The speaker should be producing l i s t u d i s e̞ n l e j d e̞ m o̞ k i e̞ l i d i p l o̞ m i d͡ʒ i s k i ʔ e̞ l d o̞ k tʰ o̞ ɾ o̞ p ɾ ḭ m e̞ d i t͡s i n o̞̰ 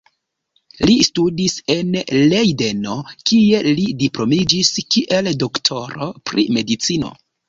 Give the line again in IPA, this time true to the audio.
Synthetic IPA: l i s t u d i s e̞ n l e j d e̞ n o̞ k i e̞ l i d i p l o̞ m i d͡ʒ i s k i ʔ e̞ l d o̞ k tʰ o̞ ɾ o̞ p ɾ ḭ m e̞ d i t͡s i n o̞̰